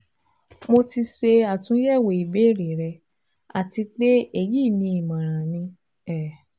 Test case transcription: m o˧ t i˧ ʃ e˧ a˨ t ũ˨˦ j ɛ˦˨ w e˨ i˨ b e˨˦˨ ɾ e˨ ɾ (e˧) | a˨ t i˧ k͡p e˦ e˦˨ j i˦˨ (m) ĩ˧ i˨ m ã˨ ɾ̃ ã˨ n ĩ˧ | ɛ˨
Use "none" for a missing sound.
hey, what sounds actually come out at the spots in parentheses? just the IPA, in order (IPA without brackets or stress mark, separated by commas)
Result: ɛ˧, n